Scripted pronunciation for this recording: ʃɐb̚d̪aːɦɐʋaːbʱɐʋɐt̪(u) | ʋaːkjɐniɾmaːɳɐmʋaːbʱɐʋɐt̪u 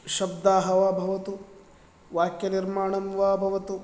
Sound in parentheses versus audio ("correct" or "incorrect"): correct